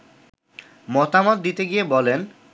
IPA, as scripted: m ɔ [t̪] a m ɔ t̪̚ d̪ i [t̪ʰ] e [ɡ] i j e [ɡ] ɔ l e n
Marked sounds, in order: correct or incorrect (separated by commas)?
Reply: correct, incorrect, correct, incorrect